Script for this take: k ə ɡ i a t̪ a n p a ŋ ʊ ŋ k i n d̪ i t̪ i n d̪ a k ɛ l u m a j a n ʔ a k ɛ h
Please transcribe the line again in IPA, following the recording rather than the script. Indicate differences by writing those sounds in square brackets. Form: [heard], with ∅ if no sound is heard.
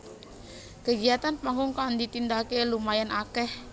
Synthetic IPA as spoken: k ə ɡ i a t̪ a n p a ŋ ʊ ŋ k [a] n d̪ i t̪ i n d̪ a k [e] l u m a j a n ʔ a k ɛ h